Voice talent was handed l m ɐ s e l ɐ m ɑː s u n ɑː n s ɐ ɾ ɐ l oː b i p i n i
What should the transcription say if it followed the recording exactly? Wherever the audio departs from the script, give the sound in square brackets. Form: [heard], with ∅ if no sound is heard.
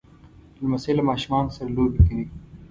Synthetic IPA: l m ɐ s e l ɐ m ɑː [ʃ] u [m] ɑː n s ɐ ɾ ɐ l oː b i [k] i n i